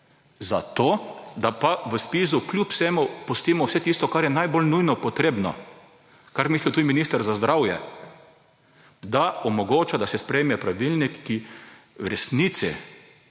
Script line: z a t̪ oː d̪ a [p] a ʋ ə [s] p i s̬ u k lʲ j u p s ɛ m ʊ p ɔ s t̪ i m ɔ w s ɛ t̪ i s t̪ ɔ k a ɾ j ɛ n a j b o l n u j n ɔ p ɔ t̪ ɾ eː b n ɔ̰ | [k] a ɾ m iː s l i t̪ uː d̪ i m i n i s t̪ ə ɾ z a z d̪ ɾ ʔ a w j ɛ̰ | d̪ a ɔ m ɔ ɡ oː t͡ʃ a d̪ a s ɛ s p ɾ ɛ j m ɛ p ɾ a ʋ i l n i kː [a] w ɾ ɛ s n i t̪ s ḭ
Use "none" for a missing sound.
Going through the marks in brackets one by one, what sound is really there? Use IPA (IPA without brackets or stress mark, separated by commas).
p, s, k, i